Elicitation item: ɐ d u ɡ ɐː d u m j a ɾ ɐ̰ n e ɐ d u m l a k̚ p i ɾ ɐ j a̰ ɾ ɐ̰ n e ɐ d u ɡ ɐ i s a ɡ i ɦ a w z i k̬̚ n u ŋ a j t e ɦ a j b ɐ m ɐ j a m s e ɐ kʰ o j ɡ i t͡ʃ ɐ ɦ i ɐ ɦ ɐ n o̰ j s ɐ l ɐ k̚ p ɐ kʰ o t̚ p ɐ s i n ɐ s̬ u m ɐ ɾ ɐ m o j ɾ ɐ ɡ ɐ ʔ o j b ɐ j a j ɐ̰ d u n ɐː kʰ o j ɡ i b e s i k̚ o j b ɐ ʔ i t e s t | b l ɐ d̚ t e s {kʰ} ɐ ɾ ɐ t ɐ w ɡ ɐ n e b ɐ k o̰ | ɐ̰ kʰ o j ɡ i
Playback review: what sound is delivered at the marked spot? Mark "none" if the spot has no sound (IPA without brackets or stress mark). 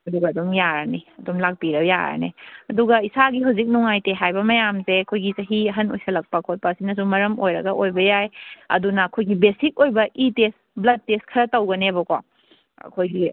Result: kʰ